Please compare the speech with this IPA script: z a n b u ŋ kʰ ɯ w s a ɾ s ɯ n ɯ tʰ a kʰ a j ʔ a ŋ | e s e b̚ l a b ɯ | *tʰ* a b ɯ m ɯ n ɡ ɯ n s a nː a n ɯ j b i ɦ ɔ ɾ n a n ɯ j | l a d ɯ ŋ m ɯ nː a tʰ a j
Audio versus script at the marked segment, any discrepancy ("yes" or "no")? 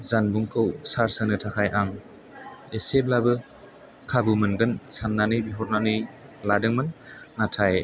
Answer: yes